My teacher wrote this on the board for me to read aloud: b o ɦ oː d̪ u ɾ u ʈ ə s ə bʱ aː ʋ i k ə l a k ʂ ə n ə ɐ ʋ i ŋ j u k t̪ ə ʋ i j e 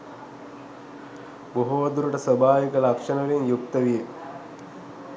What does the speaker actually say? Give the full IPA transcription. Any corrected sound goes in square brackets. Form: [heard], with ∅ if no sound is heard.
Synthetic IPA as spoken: b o ɦ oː d̪ u ɾ u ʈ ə s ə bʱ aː ʋ i k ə l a k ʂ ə n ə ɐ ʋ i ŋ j u k t̪ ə ʋ i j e